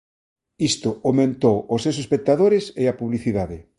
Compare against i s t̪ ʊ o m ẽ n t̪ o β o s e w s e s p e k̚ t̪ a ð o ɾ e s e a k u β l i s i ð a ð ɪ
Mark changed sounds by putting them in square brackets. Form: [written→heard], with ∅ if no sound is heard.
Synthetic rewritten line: i s t̪ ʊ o m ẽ n t̪ o [β→w] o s e w s e s p e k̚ t̪ a ð o ɾ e s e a [k→p] u β l i [s→θ] i ð a ð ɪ